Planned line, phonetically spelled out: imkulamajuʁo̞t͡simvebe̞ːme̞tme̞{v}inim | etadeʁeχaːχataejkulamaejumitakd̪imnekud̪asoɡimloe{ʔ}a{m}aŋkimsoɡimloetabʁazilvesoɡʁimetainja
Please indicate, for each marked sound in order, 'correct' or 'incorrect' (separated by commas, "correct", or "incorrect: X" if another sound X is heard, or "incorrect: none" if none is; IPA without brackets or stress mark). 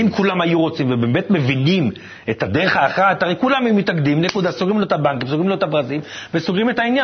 correct, incorrect: t, incorrect: b